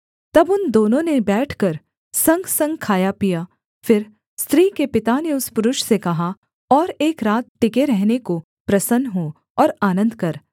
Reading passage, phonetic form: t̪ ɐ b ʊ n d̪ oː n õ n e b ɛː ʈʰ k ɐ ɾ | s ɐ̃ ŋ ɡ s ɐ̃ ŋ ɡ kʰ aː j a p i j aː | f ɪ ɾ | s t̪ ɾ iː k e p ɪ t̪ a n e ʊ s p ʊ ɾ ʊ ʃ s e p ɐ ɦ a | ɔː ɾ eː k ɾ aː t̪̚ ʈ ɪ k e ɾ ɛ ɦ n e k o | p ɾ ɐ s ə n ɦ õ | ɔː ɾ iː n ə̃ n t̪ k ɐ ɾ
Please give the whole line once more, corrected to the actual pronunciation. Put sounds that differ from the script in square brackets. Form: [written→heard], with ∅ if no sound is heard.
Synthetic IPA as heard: t̪ ɐ b ʊ n d̪ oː n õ n e b ɛː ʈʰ k ɐ ɾ | s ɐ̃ ŋ ɡ s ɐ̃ ŋ ɡ kʰ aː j a p i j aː | f ɪ ɾ | s t̪ ɾ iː k e p ɪ t̪ a n e ʊ s p ʊ ɾ ʊ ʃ s e [p→k] ɐ ɦ a | ɔː ɾ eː k ɾ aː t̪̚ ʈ ɪ k e ɾ ɛ ɦ n e k o | p ɾ ɐ s ə n ɦ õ | ɔː ɾ [iː→aː] n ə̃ n [t̪→d̪] k ɐ ɾ